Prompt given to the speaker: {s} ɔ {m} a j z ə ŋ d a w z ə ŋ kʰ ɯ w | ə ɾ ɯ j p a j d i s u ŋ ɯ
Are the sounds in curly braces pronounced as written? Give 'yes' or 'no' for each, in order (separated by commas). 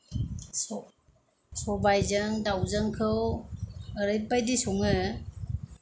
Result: yes, no